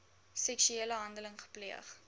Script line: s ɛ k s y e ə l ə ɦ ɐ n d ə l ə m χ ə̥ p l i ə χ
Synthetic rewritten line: s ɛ k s y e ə l ə ɦ ɐ n d ə l ə ŋ χ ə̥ p l i ə χ